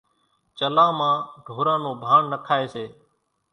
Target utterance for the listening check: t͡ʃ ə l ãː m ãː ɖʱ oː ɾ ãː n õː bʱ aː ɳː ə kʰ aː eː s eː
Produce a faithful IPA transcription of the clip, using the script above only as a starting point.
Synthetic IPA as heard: t͡ʃ ə l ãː m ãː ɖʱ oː ɾ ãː n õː bʱ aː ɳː ə kʰ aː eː s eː